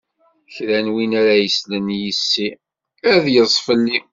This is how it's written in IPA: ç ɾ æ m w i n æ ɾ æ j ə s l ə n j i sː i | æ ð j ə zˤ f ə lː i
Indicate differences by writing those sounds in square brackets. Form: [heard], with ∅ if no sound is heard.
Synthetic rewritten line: ç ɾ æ [n] w i n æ ɾ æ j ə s l ə n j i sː i | æ ð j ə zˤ f ə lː i